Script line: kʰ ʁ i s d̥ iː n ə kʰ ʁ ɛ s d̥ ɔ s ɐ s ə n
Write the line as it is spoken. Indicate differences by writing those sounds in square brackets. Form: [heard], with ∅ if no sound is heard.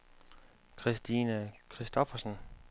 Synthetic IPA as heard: kʰ ʁ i s d̥ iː n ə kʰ ʁ [i] s d̥ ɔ [f] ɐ s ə n